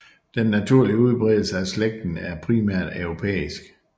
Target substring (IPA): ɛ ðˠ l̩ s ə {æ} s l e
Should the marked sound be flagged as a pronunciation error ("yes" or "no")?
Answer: no